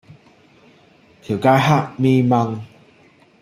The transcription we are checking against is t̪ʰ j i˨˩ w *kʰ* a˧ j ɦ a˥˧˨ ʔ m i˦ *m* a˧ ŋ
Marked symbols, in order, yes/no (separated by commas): no, yes